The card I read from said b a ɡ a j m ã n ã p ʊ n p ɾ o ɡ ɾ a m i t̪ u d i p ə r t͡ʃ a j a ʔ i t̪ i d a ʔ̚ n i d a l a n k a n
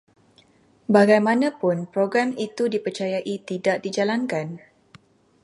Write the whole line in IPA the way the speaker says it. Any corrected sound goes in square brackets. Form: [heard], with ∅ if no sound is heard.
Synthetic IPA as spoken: b a ɡ a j m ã n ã p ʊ n p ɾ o ɡ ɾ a m i t̪ u d i p ə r t͡ʃ a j a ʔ i t̪ i d a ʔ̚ [d] i [d͡ʒ] a l a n k a n